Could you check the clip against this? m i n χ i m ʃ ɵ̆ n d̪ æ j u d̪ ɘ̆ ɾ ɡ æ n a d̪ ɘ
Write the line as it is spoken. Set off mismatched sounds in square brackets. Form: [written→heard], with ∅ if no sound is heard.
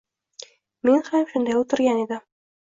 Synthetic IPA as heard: m i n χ [i→æ] m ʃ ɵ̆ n d̪ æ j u [d̪→t̪] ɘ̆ ɾ ɡ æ n [a→i] d̪ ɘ